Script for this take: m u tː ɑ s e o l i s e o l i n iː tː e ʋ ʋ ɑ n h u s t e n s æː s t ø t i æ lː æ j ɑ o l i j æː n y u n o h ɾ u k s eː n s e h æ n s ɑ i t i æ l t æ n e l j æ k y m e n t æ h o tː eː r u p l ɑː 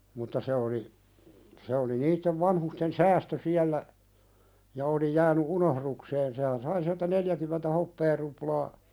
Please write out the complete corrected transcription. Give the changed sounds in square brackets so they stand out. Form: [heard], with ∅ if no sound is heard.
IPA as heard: m u tː ɑ s e o l i s e o l i n iː tː e ʋ ʋ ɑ n h u s t e n s æː s t ø [s] i æ lː æ j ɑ o l i j æː n y u n o h ɾ u k s eː n s e h æ n s ɑ i [s] i æ l t æ n e l j æ k y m e n t æ h o [pː] eː r u p l ɑː

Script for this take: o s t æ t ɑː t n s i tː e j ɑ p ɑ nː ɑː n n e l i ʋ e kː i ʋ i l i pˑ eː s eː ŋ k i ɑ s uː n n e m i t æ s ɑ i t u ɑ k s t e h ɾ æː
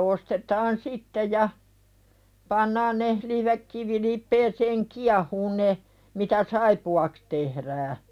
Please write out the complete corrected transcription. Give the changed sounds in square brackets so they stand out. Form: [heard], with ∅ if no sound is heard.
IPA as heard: o s t [e] t ɑː [∅] n s i tː e j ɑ p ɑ nː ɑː n n e l i ʋ e kː i ʋ i l i pˑ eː s eː ŋ k i ɑ [h] uː n n e m i t æ s ɑ i [p] u ɑ k s t e h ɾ æː

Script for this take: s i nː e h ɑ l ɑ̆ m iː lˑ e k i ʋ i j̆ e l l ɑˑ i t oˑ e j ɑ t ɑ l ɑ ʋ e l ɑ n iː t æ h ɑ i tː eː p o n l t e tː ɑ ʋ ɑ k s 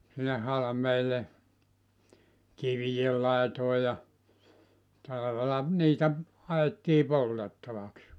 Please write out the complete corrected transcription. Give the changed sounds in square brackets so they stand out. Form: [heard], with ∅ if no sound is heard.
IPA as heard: s i nː e h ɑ l ɑ̆ m [eː] lˑ e k i ʋ i j̆ e l l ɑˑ [e] t oˑ e j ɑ t ɑ l ɑ ʋ e l ɑ n iː t æ h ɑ [e] tː [iː] p o [∅] l t e tː ɑ ʋ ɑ k s

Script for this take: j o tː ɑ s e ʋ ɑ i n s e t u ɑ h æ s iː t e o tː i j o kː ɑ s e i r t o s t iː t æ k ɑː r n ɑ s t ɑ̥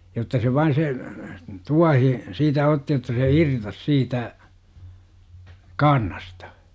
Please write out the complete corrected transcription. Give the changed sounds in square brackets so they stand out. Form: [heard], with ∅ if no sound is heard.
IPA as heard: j o tː ɑ s e ʋ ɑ i n s e t u ɑ h [i] s iː t [æ] o tː i j o [tː] ɑ s e i r t o s [s] iː t æ k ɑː r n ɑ s t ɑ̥

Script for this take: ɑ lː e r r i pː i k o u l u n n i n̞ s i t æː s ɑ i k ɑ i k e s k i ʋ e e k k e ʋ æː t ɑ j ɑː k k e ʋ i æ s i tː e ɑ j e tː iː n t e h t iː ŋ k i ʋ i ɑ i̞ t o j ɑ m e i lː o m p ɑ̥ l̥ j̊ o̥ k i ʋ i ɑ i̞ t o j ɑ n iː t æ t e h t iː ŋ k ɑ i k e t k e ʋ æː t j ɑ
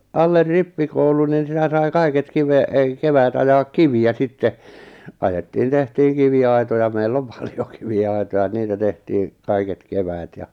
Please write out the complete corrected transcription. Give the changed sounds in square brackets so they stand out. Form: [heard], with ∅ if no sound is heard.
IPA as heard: ɑ lː e r r i pː i k o u l u n n i n̞ s i t [æ] s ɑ i k ɑ i k e [t] k i ʋ e e k k e ʋ æː t ɑ j ɑː k k [i] ʋ i æ s i tː e ɑ j e tː iː n t e h t iː ŋ k i ʋ i ɑ i̞ t o j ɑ m e i lː o m p ɑ̥ l̥ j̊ o̥ k i ʋ i ɑ i̞ t o j ɑ n iː t æ t e h t iː ŋ k ɑ i k e t k e ʋ æː t j ɑ

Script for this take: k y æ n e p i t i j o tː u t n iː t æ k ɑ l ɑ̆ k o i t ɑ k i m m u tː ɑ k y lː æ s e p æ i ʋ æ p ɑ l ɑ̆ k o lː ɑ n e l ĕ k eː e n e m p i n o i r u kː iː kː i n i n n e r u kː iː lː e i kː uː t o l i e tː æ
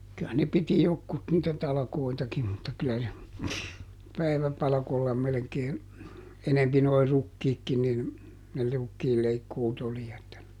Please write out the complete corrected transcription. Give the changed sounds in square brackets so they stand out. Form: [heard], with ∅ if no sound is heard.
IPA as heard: k y æ n e p i t i j o [kː] u t n iː t æ [t] ɑ l ɑ̆ k o i t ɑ k i m m u tː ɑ k y [l] æ s e p æ i ʋ æ p ɑ l ɑ̆ k o lː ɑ [m] e l ĕ k eː e n e m p i n o i r u kː iː kː i n i n n e r u kː iː lː e i kː uː t o l i e tː æ

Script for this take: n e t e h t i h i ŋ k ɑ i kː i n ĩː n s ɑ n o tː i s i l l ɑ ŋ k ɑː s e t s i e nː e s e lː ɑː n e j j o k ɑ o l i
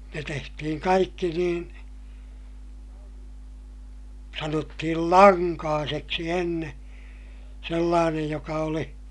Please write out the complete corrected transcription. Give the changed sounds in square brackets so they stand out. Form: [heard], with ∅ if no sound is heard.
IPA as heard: n e t e h t i h i ŋ k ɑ i kː i n [iː] n s ɑ n o tː i [h] i l l ɑ ŋ k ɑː s e [k] s i e nː e s e lː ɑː n e j j o k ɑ o l i

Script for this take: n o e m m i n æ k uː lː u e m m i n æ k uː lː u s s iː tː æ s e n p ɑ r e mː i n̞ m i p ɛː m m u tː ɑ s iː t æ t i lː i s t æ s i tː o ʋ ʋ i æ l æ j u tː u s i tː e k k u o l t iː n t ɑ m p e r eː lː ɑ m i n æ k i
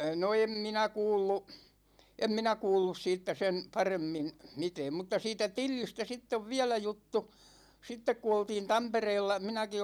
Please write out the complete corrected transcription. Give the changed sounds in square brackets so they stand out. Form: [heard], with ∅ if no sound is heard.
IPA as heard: n o e m m i n æ k uː lː u e m m i n æ k uː lː u s s iː tː æ s e n p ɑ r e mː i n̞ m i [t] ɛː m m u tː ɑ s iː t æ t i lː i s t æ s i tː o ʋ ʋ i æ l æ j u tː u s i tː e k k u o l t iː n t ɑ m p e r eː lː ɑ m i n æ k i

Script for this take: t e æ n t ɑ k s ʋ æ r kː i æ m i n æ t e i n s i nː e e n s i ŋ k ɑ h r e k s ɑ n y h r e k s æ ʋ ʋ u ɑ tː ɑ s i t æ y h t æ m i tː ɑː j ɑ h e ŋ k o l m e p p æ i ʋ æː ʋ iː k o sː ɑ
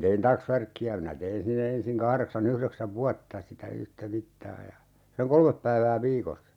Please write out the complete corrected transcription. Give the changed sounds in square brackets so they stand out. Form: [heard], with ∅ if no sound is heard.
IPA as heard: t e [i] n t ɑ k s ʋ æ r kː i æ m i n æ t e i n s i nː e e n s i ŋ k ɑ h r e k s ɑ n y h r e k s æ ʋ ʋ u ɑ tː ɑ s i t æ y h t æ m i tː ɑː j ɑ [s] e ŋ k o l m e p p æ i ʋ æː ʋ iː k o sː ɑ

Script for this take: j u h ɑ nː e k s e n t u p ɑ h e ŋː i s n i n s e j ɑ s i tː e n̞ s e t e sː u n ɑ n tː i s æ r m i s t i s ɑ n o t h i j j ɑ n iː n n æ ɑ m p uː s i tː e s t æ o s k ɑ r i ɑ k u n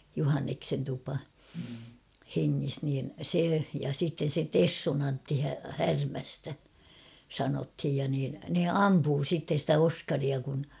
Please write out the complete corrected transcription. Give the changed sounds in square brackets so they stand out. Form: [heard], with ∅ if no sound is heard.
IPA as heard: j u h ɑ nː e k s e n t u p ɑ h e ŋː i s n [iː] n s e j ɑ s i tː e n̞ s e t e sː u n ɑ n tː i [h] æ r m [æ] s t [æ] s ɑ n o t h i j j ɑ n iː n n [e] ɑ m p uː s i tː e s t æ o s k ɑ r i ɑ k u n

